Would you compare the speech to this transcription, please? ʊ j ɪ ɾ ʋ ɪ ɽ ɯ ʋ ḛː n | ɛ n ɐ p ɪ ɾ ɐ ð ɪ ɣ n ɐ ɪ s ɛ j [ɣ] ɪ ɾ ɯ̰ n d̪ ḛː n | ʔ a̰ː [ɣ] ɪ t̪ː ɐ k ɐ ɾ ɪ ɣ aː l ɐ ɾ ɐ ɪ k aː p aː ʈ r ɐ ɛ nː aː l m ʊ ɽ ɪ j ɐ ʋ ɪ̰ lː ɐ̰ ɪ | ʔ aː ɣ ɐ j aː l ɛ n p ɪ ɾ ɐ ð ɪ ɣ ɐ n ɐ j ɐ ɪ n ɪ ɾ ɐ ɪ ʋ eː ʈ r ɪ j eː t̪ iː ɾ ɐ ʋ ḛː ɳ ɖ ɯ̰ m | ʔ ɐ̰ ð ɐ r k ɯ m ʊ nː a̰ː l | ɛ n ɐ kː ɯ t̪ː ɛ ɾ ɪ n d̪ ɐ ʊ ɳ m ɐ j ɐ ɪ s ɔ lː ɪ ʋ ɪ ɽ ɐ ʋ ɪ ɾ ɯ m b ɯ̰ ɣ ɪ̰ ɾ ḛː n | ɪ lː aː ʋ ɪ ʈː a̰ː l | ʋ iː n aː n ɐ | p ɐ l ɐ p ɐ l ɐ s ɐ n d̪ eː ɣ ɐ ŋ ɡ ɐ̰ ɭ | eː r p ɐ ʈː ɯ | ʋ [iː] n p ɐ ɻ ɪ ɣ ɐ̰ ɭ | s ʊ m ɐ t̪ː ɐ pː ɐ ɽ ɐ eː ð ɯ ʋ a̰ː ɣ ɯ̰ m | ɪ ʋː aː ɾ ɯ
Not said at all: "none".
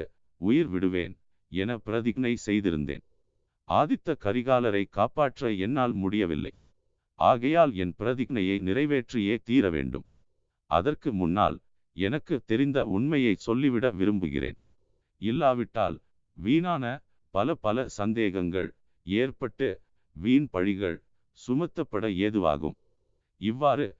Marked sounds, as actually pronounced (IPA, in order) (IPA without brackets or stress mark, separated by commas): ð, ð, iː